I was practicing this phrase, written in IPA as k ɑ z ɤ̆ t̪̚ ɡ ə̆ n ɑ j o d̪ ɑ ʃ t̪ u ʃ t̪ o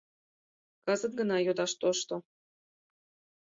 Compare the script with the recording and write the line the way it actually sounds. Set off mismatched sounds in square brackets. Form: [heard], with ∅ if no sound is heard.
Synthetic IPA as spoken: k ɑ z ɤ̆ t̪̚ ɡ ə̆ n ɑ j o d̪ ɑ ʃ t̪ [o] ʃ t̪ o